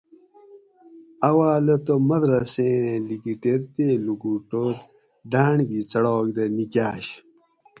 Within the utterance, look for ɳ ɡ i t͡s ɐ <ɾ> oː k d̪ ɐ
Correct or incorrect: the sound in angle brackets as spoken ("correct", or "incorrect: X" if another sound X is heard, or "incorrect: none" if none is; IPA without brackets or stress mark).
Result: incorrect: ɽ